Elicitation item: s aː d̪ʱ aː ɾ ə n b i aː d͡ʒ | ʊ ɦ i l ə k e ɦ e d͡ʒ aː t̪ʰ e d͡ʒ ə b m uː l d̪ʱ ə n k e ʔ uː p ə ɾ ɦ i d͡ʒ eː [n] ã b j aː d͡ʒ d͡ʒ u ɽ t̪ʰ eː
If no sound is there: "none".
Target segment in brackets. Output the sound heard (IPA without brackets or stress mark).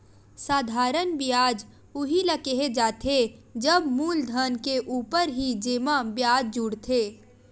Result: m